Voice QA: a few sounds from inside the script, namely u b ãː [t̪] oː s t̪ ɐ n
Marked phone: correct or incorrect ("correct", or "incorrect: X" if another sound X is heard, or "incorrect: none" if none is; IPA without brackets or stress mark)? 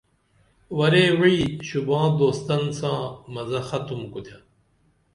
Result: incorrect: d̪